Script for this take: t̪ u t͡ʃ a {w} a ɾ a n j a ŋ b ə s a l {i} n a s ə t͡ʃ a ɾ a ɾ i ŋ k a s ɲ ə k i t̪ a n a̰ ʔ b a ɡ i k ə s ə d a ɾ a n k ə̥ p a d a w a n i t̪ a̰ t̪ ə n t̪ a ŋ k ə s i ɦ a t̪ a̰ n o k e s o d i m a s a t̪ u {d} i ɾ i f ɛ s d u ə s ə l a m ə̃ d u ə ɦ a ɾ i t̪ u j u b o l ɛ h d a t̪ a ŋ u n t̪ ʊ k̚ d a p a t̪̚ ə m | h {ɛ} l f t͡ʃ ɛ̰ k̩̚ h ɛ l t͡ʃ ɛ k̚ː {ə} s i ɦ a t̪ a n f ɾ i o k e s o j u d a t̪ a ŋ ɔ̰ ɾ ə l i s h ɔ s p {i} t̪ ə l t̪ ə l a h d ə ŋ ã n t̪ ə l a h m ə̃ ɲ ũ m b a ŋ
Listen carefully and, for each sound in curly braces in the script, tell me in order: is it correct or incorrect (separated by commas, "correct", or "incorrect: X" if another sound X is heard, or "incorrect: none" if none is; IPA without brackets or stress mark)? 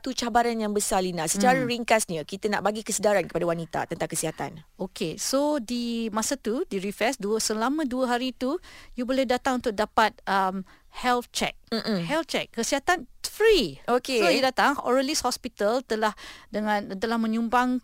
incorrect: b, correct, correct, correct, correct, correct